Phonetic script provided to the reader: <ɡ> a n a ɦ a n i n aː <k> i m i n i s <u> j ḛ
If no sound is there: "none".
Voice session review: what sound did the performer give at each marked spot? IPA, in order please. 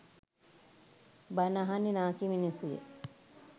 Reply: b, k, u

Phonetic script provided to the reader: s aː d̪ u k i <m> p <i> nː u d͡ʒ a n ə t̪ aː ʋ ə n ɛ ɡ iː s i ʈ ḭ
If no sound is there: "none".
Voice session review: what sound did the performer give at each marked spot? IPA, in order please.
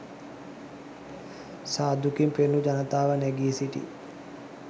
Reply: m, e

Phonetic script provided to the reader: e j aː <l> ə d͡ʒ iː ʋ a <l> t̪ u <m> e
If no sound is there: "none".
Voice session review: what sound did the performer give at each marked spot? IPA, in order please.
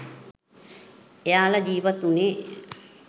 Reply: l, none, n

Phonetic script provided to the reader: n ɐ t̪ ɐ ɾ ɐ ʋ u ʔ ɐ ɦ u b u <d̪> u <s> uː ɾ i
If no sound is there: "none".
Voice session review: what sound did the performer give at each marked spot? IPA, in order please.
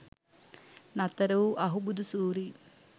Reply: d̪, s

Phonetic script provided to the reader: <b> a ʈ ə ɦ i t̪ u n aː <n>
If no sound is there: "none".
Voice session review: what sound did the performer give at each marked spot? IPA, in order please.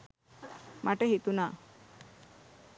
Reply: m, none

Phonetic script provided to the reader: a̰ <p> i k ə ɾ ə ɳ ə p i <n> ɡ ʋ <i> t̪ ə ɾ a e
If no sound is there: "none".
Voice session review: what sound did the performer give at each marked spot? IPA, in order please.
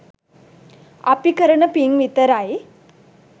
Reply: p, ŋ, i

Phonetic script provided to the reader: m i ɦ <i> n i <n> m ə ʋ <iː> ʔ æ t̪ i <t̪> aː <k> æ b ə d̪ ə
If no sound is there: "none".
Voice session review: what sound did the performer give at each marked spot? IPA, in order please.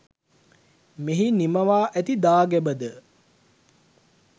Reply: i, none, aː, d̪, ɡ

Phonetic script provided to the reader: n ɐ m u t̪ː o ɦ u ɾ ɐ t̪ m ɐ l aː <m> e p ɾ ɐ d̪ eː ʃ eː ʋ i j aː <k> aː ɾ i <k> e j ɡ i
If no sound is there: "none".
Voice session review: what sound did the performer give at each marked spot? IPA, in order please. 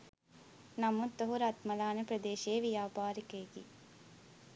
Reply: n, p, k

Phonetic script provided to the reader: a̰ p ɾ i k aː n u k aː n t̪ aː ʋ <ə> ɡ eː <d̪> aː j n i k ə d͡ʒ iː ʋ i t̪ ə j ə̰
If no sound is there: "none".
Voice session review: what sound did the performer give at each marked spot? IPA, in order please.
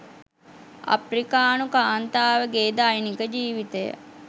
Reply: ə, d̪

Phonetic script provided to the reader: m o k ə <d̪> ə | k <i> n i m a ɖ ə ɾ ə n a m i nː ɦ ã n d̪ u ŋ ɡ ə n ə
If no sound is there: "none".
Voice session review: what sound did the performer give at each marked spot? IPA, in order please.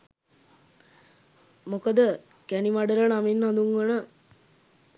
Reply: d̪, æ

